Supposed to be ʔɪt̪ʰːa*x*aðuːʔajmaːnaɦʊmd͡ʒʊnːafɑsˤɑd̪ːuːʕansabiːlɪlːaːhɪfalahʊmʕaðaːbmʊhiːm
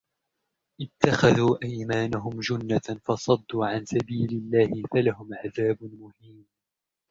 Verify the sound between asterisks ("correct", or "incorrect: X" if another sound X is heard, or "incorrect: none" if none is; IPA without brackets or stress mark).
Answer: correct